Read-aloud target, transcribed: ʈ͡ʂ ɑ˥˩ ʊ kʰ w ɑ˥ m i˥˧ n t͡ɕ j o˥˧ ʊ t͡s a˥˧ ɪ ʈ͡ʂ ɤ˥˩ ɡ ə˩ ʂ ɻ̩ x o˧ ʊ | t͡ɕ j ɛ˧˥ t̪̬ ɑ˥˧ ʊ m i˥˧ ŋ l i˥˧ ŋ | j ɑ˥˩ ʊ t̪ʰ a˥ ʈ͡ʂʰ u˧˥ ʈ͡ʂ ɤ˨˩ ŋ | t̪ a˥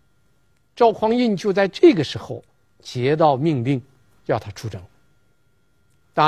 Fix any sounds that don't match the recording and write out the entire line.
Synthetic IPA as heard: ʈ͡ʂ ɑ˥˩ ʊ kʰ w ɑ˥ ŋ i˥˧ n t͡ɕ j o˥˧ ʊ t͡s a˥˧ ɪ ʈ͡ʂ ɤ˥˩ ɡ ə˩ ʂ ɻ̩ x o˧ ʊ | t͡ɕ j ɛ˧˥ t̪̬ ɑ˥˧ ʊ m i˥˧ ŋ l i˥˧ ŋ | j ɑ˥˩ ʊ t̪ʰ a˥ ʈ͡ʂʰ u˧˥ ʈ͡ʂ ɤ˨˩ ŋ | t̪ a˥